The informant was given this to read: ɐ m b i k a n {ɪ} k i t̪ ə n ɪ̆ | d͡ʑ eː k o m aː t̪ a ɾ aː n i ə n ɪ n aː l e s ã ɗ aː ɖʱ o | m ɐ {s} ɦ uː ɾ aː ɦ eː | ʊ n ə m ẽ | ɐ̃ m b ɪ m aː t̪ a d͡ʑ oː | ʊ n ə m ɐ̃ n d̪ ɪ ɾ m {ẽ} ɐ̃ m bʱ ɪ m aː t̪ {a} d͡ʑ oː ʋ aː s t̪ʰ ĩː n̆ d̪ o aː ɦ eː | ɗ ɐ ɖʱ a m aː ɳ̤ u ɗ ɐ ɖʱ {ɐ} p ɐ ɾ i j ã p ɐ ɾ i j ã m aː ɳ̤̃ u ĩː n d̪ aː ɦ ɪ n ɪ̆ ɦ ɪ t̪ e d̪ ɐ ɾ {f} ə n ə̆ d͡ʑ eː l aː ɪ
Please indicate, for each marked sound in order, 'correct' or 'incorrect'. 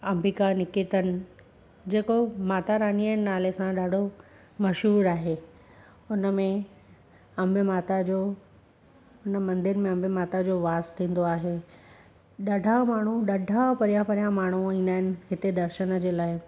correct, incorrect: ʃ, correct, correct, incorrect: a, incorrect: ʃ

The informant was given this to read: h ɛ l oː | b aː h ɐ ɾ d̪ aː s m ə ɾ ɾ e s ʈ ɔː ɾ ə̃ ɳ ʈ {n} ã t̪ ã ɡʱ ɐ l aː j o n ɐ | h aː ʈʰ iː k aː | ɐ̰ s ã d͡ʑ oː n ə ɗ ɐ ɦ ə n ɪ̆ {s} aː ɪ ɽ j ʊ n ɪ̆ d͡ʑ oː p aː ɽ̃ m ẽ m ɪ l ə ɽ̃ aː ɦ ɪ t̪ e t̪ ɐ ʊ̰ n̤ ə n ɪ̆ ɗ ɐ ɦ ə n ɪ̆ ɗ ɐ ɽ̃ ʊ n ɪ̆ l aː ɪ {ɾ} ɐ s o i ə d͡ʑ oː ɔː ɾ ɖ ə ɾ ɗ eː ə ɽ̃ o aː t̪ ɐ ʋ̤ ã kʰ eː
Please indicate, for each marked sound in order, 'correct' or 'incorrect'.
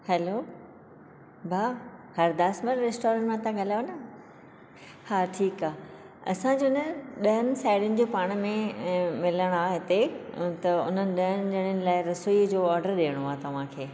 incorrect: m, correct, correct

